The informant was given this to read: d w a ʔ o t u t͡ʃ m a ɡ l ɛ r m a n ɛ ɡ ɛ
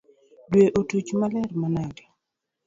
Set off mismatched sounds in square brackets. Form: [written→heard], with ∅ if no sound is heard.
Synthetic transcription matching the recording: d w [a→e] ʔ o t u t͡ʃ m a [ɡ→∅] l ɛ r m a n [ɛ→a] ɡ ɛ